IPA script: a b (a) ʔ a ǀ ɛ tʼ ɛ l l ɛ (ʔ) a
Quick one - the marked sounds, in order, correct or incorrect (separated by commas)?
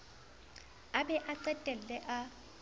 incorrect, correct